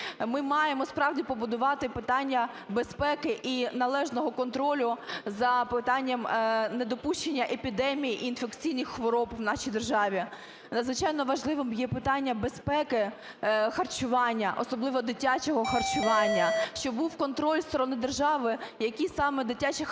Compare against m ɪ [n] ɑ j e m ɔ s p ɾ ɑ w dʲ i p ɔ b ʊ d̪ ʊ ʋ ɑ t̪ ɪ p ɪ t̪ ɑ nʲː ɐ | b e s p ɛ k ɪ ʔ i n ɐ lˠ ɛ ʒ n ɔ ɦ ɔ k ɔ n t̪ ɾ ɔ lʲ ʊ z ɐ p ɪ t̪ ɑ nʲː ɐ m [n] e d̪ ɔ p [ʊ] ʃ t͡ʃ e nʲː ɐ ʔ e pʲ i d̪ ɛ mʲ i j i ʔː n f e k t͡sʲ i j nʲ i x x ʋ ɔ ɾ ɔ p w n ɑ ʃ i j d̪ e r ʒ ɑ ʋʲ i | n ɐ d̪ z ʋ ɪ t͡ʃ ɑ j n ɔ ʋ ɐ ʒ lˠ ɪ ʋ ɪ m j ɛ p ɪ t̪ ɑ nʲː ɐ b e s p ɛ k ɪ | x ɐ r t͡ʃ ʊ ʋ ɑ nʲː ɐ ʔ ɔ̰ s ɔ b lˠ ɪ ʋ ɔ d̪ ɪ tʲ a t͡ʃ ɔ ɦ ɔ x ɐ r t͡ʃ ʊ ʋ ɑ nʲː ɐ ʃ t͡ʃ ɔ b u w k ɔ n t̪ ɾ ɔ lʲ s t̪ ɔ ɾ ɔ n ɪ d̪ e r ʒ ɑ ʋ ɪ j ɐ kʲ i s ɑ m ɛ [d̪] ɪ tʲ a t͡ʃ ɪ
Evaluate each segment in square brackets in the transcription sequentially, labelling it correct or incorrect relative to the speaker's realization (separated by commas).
incorrect, correct, incorrect, correct